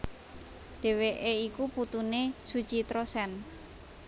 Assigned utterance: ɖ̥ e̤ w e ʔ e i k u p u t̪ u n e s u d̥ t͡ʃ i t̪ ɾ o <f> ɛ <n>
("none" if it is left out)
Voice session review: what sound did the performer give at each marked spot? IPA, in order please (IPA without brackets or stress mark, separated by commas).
s, n